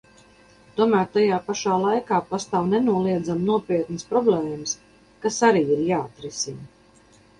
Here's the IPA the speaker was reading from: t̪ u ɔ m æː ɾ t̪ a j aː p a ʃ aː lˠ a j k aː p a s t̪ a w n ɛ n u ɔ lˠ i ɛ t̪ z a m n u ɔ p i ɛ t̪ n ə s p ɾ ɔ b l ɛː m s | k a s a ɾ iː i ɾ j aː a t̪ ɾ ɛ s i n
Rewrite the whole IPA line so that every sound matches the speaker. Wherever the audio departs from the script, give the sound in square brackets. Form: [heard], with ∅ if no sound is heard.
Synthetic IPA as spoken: t̪ u ɔ m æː ɾ t̪ a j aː p a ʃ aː lˠ a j k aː p a s t̪ a w n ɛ n u ɔ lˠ i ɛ [d̪] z a m n u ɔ p i ɛ t̪ n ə s p ɾ ɔ b l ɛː m s | k a s a ɾ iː i ɾ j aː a t̪ ɾ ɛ s i n